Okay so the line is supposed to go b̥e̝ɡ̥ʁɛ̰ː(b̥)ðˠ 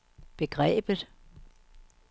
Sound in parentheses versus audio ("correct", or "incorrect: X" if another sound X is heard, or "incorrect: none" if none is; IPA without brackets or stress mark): correct